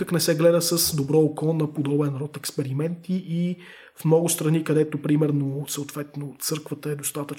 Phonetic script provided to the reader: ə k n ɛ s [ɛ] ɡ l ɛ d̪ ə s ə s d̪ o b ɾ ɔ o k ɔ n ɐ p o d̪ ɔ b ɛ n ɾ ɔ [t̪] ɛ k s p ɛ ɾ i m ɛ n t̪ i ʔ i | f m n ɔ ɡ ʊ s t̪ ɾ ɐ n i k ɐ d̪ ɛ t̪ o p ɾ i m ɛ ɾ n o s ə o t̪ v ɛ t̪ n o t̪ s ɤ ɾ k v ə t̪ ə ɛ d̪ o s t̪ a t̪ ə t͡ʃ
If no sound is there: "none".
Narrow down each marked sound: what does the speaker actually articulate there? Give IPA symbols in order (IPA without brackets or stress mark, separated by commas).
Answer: ɛ, t̪